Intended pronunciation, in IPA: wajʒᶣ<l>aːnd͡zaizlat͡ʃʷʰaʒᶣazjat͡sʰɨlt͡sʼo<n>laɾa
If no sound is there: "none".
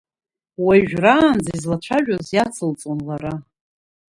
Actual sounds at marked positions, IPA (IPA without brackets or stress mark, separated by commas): r, n